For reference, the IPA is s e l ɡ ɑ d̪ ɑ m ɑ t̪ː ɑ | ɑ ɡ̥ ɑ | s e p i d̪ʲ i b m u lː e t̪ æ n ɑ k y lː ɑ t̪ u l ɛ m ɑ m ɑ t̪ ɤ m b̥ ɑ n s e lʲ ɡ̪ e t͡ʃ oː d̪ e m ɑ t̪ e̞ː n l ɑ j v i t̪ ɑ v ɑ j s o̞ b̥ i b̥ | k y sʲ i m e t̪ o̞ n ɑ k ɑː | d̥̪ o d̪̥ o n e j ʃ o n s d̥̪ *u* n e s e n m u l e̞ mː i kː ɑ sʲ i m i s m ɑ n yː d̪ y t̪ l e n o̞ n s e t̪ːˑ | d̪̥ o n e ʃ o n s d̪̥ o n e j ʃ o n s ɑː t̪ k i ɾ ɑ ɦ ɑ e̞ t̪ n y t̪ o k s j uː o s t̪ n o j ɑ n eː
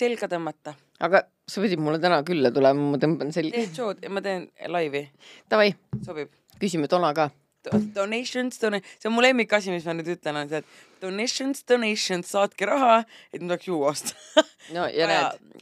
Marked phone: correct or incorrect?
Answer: incorrect